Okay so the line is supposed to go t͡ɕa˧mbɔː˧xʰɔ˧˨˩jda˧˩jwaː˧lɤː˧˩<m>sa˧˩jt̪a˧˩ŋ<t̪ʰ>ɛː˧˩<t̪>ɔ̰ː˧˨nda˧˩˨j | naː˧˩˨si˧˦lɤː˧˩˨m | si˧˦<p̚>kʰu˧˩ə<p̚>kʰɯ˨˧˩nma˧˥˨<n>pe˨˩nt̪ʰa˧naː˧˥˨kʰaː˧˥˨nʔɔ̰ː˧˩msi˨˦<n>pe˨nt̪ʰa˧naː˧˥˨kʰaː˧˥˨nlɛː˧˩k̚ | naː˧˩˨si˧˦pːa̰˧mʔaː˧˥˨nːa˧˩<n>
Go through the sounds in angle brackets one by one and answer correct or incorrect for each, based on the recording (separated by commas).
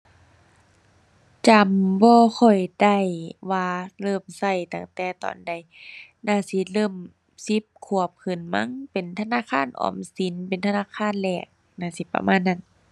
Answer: correct, incorrect, correct, correct, correct, incorrect, correct, correct